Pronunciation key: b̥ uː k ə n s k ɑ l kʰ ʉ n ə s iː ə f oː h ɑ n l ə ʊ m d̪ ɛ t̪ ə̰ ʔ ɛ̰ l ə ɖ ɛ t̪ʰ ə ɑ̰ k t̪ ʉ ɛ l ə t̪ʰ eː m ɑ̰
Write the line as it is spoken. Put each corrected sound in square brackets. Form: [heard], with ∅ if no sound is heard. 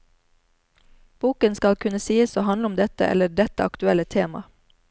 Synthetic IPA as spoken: b̥ uː k ə n s k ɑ l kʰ ʉ n ə s iː ə [s] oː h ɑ n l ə ʊ m d̪ ɛ t̪ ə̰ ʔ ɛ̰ l ə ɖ ɛ [t̪] ə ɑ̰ k t̪ ʉ ɛ l ə t̪ʰ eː m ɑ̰